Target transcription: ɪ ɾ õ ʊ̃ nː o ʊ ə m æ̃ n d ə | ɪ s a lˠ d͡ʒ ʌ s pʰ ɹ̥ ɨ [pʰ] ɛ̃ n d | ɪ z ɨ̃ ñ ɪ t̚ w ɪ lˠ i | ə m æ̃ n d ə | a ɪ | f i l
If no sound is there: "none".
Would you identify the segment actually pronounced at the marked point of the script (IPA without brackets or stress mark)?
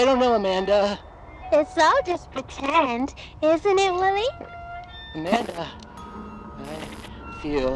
tʰ